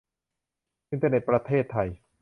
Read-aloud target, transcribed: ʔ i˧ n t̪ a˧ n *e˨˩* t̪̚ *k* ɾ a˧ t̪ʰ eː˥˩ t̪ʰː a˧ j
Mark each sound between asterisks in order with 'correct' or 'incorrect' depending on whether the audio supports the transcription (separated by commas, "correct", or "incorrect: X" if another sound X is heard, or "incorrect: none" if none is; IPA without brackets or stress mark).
correct, incorrect: p